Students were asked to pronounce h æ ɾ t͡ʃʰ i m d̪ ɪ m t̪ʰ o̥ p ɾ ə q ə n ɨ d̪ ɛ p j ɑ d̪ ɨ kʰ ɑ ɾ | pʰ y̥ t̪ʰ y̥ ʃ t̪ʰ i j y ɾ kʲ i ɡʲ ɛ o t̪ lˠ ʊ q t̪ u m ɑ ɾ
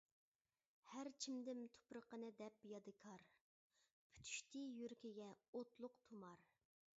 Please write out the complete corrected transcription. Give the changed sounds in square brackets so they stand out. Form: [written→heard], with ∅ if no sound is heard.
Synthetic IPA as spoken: h æ ɾ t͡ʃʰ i m d̪ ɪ m t̪ʰ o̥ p ɾ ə q ə n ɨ d̪ ɛ p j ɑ d̪ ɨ kʰ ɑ ɾ | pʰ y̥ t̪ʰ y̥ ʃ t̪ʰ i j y ɾ kʲ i ɡʲ ɛ o t̪ lˠ ʊ q [t̪→t̪ʰ] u m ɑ ɾ